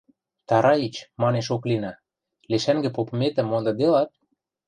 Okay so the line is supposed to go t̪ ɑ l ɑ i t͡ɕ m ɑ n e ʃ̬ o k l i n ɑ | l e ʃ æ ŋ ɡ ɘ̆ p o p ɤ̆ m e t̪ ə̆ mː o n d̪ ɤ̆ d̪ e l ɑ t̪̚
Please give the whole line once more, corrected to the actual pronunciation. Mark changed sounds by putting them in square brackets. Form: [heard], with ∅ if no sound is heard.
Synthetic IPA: t̪ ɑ [ɾ] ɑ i t͡ɕ m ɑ n e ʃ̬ o k l i n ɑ | l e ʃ æ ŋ ɡ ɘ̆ p o p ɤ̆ m e t̪ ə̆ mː o n d̪ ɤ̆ d̪ e l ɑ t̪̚

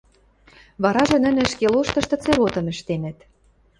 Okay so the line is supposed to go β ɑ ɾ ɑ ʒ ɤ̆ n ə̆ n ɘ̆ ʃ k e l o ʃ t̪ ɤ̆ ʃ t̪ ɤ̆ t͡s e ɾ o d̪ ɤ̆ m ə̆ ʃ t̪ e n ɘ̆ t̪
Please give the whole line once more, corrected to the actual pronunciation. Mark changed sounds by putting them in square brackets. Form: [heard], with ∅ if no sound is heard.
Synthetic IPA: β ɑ ɾ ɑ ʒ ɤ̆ n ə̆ n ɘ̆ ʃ k e l o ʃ t̪ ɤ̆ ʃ t̪ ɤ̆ t͡s e ɾ o [t̪] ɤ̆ m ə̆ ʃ t̪ e n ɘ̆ t̪

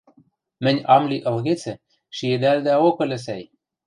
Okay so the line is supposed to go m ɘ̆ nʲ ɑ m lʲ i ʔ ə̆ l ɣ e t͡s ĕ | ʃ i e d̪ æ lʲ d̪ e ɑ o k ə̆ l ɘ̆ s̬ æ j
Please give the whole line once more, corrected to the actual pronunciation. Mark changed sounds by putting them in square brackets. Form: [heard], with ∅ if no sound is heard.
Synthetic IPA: m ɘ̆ nʲ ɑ m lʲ i ʔ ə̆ l ɣ e t͡s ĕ | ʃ i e d̪ æ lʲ d̪ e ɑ o k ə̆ l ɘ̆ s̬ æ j

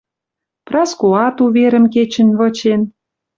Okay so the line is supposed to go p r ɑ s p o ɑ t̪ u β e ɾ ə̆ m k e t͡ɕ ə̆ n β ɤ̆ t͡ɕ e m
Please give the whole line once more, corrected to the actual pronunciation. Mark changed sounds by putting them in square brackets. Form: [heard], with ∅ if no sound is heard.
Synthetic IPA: p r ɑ s [k] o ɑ t̪ u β e ɾ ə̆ m k e t͡ɕ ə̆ n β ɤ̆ t͡ɕ e [n]

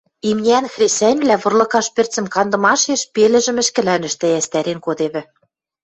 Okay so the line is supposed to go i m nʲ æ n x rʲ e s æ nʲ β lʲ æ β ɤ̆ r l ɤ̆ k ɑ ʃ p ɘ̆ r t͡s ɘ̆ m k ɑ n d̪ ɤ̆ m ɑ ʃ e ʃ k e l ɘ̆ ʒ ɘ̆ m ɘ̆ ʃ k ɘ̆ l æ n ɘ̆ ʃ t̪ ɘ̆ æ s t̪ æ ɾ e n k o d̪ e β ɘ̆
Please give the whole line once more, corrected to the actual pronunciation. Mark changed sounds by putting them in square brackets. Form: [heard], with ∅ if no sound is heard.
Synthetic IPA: i m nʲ æ n x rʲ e s æ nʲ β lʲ æ β ɤ̆ r l ɤ̆ k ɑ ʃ p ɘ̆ r t͡s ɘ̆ m k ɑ n d̪ ɤ̆ m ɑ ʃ e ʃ [p] e l ɘ̆ ʒ ɘ̆ m ɘ̆ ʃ k ɘ̆ l æ n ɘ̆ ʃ t̪ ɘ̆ æ s t̪ æ ɾ e n k o d̪ e β ɘ̆

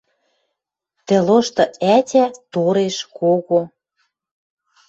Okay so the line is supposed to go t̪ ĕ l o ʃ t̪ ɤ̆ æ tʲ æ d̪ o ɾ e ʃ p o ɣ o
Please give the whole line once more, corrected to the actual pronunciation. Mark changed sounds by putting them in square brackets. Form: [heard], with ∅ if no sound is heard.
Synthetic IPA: t̪ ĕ l o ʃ t̪ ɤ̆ æ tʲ æ [t̪] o ɾ e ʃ [k] o ɣ o

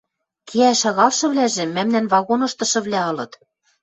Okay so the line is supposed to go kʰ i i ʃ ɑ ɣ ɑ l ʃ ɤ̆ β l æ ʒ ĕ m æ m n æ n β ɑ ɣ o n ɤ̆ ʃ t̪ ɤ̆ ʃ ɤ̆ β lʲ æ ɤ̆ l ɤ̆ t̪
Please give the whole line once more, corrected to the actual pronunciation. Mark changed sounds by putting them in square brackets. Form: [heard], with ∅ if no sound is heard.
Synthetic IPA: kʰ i [æ] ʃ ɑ ɣ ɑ l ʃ ɤ̆ β l æ ʒ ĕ m æ m n æ n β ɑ ɣ o n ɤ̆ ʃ t̪ ɤ̆ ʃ ɤ̆ β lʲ æ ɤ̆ l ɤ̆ t̪

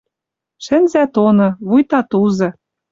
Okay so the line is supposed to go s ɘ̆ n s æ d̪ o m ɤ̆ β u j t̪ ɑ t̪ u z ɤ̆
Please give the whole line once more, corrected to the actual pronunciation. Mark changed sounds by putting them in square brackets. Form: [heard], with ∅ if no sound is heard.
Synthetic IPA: [ʃ] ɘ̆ n [z] æ [t̪] o [n] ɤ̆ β u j t̪ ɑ t̪ u z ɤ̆

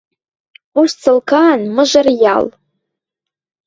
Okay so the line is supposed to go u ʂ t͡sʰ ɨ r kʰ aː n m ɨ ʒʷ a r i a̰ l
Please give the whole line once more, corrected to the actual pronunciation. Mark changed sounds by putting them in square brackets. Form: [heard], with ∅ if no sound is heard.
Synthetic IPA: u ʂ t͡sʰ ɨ [l] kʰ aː n m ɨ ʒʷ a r [j] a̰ l

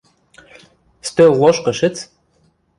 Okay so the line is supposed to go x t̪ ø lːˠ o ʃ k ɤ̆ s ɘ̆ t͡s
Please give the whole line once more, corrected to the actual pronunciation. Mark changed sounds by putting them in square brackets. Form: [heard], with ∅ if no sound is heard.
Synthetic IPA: [s] t̪ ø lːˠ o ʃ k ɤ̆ [ʃ] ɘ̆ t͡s

